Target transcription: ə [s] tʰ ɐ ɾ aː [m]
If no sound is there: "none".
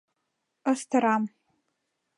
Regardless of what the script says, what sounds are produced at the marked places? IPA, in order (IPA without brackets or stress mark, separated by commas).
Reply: s, m